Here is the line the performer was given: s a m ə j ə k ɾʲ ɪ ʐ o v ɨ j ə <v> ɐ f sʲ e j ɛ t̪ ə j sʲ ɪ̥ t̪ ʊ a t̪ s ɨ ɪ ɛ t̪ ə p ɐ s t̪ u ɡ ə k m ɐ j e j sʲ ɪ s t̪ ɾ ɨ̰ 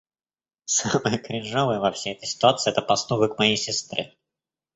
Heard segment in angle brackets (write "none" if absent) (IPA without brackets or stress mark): v